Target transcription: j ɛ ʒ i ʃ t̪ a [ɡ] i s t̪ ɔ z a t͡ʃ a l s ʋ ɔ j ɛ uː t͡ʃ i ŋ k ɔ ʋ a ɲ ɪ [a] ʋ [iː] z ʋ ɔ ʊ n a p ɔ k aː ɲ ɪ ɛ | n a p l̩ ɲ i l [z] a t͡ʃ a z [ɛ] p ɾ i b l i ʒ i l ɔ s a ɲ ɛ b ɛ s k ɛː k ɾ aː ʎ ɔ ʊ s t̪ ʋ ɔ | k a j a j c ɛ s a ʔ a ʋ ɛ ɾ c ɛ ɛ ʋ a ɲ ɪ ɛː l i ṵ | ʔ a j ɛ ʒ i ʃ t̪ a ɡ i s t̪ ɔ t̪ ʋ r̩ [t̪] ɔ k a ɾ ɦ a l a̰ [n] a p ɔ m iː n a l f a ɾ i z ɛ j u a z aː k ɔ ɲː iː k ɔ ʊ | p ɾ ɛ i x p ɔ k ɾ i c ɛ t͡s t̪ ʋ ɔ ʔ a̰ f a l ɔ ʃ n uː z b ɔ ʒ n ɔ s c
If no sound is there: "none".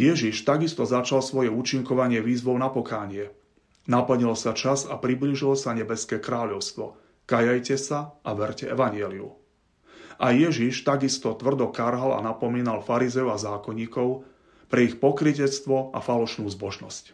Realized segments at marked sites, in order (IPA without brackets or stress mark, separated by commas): ɡ, ɛ, iː, s, a, d̪, n